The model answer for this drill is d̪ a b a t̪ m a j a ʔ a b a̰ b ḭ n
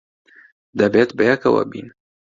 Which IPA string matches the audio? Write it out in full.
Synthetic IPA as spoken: d̪ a b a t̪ b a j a k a w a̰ b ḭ n